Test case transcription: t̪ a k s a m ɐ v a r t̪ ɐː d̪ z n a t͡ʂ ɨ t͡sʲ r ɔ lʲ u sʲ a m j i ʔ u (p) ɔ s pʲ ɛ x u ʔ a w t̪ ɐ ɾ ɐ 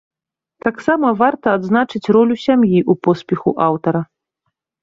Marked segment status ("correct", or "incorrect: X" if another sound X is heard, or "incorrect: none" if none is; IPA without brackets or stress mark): correct